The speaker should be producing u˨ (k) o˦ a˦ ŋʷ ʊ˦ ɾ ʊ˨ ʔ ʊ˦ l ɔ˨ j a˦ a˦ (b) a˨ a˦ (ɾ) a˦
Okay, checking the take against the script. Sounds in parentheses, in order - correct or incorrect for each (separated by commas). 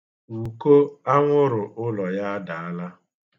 correct, incorrect, incorrect